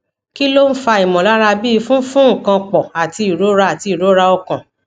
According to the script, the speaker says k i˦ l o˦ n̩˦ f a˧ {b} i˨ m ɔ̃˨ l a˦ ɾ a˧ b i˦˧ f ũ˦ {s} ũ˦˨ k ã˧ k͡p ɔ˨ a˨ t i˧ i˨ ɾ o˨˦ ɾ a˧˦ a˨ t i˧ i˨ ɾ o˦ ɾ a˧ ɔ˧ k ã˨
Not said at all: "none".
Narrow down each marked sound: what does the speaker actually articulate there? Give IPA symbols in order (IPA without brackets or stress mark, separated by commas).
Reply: none, f